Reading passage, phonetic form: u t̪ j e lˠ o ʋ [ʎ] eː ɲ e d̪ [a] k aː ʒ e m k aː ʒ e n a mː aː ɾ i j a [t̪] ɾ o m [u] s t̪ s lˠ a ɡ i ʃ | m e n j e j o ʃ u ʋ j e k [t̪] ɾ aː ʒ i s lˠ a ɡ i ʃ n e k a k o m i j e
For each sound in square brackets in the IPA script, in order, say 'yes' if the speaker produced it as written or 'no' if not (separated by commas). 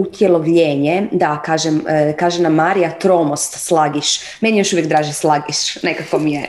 yes, yes, yes, no, no